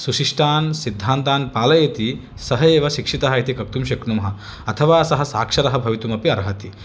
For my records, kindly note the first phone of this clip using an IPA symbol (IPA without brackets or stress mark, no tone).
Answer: s